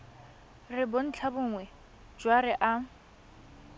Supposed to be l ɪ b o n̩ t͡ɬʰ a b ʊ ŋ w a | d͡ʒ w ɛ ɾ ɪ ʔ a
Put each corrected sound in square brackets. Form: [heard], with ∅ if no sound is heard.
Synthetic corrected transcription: [r] ɪ b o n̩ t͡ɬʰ a b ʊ ŋ w [ɛ] | d͡ʒ w [a] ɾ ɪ ʔ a